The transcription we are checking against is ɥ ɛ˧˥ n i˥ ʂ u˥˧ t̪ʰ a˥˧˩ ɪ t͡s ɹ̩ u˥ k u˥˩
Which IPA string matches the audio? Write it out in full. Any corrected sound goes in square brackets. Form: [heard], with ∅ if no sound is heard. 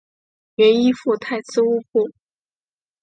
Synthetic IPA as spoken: ɥ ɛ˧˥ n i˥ [f] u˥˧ t̪ʰ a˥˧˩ ɪ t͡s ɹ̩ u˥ [p] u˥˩